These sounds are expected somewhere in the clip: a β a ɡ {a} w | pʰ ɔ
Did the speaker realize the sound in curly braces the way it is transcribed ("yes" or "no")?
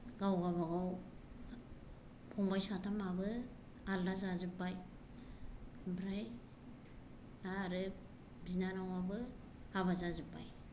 yes